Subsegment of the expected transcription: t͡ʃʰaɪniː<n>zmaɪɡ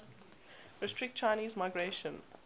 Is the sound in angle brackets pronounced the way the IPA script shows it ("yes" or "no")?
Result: no